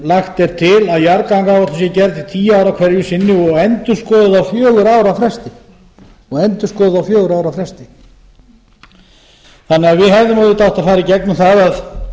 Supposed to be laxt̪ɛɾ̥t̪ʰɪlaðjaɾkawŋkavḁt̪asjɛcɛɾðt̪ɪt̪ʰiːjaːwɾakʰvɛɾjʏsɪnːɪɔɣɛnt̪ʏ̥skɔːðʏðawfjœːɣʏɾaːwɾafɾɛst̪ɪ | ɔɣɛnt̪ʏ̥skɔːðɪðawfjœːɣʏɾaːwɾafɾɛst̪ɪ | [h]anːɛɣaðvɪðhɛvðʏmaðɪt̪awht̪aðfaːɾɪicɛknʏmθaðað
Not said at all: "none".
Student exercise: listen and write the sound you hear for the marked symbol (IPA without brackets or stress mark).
θ